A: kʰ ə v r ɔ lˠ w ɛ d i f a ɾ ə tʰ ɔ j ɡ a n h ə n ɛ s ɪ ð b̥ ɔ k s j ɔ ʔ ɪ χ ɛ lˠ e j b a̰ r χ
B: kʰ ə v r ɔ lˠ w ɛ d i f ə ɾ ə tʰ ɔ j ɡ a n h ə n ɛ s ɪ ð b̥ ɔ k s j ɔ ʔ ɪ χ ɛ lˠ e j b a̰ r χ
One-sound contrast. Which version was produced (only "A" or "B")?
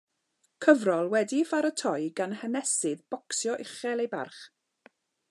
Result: A